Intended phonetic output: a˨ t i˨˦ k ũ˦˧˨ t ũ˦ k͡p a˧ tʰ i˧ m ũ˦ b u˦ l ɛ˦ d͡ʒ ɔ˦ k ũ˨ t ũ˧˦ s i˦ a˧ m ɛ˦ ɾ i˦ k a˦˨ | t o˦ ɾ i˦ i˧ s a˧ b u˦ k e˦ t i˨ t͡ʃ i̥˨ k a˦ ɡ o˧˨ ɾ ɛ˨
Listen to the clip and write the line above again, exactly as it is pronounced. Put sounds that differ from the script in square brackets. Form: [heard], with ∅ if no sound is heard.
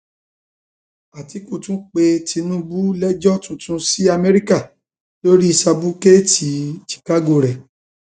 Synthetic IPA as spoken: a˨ t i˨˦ k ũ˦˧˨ t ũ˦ k͡p [e˧] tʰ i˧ [n] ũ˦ b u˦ l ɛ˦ d͡ʒ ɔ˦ [t] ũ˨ t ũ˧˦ s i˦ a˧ m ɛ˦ ɾ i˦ k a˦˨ | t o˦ ɾ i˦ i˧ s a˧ b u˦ k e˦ t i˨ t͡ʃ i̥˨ k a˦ ɡ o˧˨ ɾ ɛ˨